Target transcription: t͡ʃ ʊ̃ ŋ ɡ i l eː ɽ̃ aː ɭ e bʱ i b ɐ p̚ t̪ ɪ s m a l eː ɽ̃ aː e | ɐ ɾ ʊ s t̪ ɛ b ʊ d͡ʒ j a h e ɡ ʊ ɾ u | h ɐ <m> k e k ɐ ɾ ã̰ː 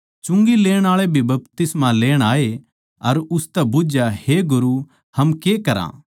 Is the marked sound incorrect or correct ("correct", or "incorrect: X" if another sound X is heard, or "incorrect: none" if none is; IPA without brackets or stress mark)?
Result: correct